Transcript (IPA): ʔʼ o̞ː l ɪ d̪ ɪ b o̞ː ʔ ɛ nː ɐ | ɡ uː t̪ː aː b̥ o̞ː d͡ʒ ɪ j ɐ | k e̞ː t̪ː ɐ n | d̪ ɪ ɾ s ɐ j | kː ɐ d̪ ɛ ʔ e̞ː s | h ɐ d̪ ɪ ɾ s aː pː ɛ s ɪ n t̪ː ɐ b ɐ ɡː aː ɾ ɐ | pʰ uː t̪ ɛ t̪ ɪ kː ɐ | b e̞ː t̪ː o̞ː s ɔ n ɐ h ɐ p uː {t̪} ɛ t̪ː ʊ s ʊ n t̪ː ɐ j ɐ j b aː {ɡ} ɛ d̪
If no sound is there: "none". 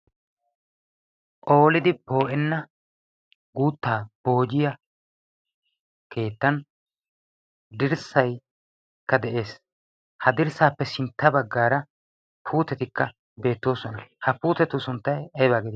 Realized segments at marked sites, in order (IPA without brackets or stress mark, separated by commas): t̪, ɡ